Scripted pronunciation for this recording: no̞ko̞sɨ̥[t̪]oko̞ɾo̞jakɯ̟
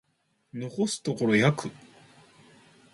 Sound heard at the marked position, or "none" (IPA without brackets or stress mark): t̪